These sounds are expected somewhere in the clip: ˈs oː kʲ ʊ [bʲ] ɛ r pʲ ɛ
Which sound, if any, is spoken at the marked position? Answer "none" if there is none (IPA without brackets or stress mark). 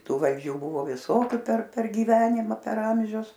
pʲ